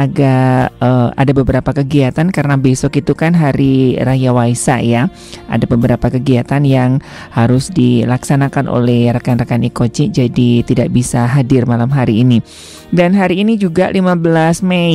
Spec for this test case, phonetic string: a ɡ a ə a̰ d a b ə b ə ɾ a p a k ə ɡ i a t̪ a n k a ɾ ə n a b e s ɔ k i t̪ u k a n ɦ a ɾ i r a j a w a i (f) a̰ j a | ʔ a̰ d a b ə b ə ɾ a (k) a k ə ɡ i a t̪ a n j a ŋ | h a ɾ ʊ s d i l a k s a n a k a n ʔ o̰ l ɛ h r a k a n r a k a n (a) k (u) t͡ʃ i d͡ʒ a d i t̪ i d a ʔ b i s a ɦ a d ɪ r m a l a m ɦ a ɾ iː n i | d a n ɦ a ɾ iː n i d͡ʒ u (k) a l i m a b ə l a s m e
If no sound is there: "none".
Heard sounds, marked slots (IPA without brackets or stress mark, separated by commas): s, p, i, o, ɡ